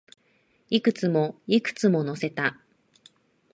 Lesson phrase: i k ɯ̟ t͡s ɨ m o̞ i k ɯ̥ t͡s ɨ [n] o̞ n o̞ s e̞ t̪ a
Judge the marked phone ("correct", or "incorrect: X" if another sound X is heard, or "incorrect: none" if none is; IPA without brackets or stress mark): incorrect: m